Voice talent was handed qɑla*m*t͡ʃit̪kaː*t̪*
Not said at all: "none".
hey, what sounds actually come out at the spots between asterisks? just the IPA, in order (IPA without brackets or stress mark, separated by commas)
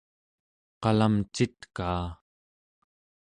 m, none